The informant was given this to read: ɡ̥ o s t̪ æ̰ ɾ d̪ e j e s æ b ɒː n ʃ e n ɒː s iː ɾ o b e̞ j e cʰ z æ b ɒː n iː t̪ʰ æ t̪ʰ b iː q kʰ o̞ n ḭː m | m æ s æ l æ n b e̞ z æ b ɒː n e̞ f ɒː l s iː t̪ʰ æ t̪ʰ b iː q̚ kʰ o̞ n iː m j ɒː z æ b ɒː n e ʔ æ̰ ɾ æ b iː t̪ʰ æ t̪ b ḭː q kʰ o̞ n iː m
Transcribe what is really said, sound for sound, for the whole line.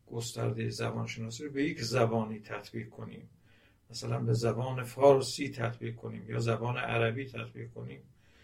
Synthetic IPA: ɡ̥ o s t̪ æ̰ ɾ d̪ e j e z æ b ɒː n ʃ e n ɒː s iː ɾ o b e̞ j e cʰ z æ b ɒː n iː t̪ʰ æ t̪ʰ b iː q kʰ o̞ n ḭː m | m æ s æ l æ n b e̞ z æ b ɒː n e̞ f ɒː ɾ s iː t̪ʰ æ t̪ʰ b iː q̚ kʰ o̞ n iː m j ɒː z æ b ɒː n e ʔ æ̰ ɾ æ b iː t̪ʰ æ t̪ b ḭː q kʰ o̞ n iː m